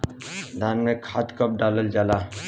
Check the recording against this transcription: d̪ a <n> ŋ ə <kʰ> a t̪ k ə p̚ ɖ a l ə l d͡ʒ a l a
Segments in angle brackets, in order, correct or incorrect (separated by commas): correct, correct